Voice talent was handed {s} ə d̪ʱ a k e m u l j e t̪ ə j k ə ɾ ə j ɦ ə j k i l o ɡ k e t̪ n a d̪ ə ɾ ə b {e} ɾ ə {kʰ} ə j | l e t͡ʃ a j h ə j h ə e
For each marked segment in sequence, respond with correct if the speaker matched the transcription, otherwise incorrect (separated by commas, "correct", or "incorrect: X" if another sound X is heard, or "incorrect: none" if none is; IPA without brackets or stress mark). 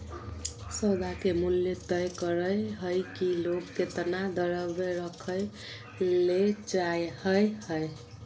correct, correct, correct